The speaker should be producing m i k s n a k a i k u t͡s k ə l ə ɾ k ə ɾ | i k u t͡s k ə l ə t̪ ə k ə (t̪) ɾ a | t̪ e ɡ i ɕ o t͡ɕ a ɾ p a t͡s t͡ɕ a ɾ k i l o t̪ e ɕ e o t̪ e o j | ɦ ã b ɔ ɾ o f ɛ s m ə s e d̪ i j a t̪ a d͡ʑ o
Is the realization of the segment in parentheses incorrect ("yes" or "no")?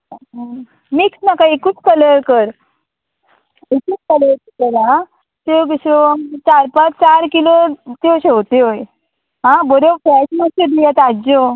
yes